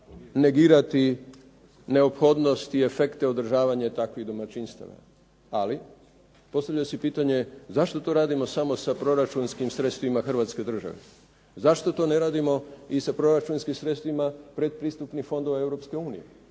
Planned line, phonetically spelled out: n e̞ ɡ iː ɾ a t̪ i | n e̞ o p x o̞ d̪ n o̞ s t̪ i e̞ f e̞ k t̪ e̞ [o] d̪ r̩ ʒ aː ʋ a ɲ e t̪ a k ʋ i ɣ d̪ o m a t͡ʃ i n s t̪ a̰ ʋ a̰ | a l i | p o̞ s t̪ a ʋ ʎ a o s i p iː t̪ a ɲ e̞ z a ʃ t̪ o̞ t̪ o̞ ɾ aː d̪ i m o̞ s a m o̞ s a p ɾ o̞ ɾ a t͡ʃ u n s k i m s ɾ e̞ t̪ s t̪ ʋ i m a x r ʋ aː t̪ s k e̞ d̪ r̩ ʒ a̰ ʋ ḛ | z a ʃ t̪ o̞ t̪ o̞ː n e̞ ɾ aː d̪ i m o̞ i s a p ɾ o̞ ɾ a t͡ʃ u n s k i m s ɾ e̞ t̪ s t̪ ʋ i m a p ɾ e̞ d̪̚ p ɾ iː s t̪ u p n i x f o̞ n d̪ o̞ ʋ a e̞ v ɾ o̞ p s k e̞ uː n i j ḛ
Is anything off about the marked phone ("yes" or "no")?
no